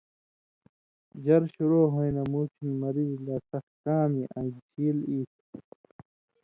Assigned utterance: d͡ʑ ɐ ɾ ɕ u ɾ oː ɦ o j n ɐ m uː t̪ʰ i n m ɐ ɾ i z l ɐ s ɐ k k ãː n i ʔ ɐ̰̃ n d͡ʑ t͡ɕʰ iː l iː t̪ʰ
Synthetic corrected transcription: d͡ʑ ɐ ɾ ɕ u ɾ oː ɦ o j n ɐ m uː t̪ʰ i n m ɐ ɾ i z l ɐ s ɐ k k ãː m i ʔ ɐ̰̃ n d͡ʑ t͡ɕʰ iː l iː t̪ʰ